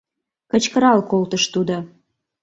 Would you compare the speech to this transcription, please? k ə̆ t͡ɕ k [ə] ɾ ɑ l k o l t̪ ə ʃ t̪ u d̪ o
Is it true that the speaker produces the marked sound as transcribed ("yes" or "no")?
yes